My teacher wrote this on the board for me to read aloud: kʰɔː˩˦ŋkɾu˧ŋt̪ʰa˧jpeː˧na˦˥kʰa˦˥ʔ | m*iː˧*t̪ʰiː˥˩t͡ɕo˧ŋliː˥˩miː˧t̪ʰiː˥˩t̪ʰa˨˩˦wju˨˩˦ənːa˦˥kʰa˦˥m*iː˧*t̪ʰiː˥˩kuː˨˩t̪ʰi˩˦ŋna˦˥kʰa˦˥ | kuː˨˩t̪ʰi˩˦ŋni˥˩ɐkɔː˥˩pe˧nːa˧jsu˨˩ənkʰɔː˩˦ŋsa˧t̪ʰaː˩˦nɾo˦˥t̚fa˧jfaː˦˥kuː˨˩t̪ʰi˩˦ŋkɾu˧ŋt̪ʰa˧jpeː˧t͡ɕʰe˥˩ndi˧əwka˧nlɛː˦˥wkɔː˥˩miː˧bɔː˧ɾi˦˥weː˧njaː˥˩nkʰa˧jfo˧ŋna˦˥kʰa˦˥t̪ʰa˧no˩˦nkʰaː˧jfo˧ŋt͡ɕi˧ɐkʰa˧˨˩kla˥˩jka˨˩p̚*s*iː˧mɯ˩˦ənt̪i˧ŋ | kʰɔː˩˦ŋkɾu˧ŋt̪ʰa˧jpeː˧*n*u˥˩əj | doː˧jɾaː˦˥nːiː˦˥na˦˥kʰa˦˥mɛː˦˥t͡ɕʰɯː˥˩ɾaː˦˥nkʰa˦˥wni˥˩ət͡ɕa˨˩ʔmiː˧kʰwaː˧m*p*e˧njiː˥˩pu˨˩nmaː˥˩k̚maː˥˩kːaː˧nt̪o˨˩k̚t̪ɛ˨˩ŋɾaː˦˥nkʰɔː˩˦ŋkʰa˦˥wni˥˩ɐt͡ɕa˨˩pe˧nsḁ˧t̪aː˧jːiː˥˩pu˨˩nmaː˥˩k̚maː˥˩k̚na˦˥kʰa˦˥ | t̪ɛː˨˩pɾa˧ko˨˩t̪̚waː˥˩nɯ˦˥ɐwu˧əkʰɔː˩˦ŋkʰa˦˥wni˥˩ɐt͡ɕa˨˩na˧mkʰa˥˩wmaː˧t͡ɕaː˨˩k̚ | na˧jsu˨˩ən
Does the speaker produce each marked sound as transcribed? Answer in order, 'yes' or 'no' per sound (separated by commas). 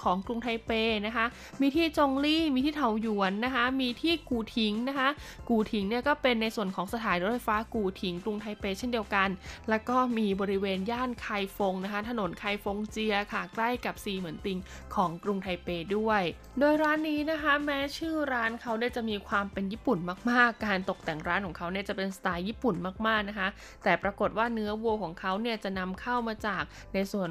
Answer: yes, yes, yes, no, yes